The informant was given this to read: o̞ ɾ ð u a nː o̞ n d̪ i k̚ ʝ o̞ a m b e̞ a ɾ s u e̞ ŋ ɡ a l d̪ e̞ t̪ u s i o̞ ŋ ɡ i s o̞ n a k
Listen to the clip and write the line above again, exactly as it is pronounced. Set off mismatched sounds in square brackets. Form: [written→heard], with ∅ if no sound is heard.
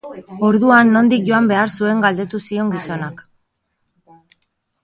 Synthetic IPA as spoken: o̞ ɾ ð u a nː o̞ n d̪ i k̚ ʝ o̞ a m b e̞ a ɾ s u e̞ ŋ ɡ a l d̪ e̞ t̪ u s i o̞ ŋ ɡ i s o̞ n a k